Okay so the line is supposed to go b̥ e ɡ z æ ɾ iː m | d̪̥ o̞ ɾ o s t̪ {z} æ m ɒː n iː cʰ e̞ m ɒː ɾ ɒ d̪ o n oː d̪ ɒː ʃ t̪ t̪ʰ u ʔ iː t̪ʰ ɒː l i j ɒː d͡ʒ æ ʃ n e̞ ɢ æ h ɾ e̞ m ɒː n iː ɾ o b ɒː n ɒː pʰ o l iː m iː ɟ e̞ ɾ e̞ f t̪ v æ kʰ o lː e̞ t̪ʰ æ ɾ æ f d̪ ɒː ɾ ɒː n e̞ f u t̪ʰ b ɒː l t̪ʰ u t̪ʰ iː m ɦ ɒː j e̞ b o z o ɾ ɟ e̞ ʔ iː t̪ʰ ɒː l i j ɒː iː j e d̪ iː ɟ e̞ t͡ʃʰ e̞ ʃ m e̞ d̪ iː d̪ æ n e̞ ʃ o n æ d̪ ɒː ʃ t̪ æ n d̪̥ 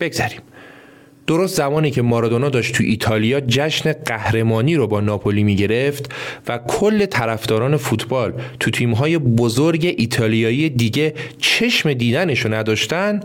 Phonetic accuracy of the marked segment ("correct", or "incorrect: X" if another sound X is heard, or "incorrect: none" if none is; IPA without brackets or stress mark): correct